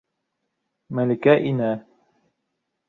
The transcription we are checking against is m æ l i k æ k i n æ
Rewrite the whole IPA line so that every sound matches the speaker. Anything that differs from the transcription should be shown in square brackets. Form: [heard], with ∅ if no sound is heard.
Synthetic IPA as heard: m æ l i k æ [ʔ] i n æ